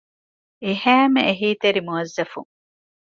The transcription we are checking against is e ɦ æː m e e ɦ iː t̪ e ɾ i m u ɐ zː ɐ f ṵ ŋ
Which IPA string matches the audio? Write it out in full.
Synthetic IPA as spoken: e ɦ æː m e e ɦ iː t̪ e ɾ i m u ɐ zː ɐ f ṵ ŋ